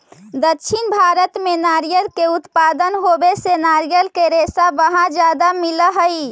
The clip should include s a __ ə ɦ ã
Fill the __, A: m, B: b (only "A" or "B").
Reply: B